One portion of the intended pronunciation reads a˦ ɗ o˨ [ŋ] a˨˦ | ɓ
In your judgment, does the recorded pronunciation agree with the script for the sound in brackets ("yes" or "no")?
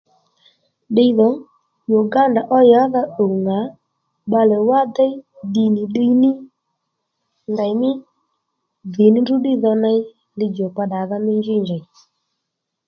yes